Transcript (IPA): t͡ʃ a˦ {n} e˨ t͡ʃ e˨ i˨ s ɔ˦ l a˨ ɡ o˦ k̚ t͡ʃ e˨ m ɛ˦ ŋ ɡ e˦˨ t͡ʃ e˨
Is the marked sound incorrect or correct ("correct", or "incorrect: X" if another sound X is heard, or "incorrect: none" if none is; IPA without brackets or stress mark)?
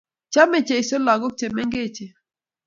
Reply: incorrect: m